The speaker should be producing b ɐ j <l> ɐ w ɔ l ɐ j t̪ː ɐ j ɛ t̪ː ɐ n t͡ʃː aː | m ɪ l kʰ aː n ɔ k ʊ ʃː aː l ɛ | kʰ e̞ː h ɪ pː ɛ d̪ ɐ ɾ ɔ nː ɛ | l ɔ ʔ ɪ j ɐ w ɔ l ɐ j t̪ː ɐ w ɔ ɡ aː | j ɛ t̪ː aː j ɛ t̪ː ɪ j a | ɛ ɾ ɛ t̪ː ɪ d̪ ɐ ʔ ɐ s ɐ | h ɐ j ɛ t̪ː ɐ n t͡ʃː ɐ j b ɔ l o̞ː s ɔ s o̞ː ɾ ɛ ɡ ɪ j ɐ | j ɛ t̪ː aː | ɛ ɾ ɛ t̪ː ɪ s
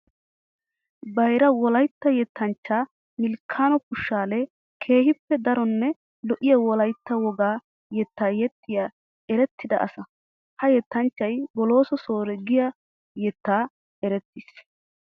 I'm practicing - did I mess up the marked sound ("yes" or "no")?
yes